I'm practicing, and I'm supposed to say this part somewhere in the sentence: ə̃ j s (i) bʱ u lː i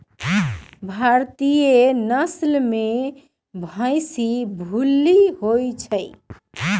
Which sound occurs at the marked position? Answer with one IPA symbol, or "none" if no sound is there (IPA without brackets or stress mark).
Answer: i